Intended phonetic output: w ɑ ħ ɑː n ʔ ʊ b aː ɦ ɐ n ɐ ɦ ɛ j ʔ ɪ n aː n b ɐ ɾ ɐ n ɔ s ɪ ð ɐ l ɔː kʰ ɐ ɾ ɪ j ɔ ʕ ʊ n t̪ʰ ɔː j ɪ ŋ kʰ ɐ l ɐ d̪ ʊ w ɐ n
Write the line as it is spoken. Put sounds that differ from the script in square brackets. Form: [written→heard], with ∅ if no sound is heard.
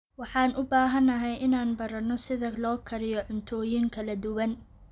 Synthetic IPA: w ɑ ħ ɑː n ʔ ʊ b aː ɦ ɐ n ɐ ɦ ɛ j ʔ ɪ n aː n b ɐ ɾ ɐ n ɔ s ɪ ð ɐ l ɔː kʰ ɐ ɾ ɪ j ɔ ʕ ʊ n t̪ʰ ɔː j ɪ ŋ kʰ ɐ l ɐ d̪ ʊ w ɐ n